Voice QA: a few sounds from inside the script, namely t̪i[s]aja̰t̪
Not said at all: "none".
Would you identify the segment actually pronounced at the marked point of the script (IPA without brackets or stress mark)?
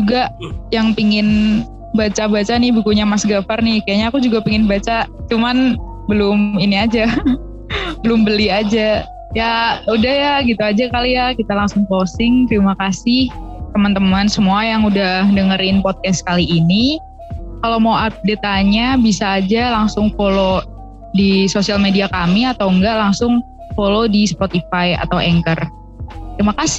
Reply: f